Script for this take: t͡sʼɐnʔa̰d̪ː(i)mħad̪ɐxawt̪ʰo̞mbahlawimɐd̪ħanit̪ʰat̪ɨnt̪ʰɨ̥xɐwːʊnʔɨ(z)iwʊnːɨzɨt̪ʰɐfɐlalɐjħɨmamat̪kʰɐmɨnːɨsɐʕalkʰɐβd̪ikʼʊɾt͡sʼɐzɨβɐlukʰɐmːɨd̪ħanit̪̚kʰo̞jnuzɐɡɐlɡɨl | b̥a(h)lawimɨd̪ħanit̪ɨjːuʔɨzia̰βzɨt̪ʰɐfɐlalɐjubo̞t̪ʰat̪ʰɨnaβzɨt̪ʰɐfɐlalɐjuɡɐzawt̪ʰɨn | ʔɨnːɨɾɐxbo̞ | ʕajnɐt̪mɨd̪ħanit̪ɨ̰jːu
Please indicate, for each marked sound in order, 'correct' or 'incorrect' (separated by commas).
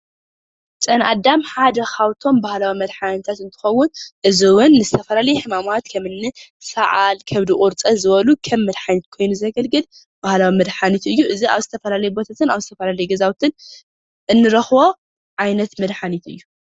incorrect, correct, correct